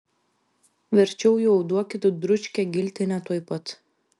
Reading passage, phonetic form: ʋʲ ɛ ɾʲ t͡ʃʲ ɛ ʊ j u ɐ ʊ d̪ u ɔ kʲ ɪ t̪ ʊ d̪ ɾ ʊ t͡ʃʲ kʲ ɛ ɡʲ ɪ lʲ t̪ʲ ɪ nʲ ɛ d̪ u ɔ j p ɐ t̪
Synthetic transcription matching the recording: ʋʲ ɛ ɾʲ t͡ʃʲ ɛ ʊ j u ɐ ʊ d̪ u ɔ kʲ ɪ t̪ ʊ d̪ ɾ ʊ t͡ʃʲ kʲ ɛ ɡʲ ɪ lʲ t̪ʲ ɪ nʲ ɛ t̪ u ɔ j p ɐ t̪